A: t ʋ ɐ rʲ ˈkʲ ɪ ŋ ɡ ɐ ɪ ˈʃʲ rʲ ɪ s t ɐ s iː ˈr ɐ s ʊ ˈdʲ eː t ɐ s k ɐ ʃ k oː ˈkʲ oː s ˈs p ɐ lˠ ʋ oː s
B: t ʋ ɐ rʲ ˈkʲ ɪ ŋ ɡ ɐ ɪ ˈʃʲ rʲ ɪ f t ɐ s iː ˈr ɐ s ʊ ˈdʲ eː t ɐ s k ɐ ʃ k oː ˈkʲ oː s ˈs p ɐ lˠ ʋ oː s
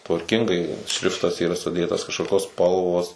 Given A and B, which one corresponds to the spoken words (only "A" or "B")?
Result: B